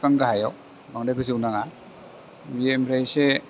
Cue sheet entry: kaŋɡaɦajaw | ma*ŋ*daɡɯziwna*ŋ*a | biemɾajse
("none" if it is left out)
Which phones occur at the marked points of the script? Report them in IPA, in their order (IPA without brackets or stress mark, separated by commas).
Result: ŋ, ŋ